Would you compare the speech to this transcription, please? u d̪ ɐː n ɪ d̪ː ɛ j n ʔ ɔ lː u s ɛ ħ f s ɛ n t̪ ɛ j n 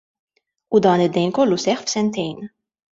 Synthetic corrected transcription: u d̪ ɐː n ɪ d̪ː ɛ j n k ɔ lː u s ɛ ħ f s ɛ n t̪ ɛ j n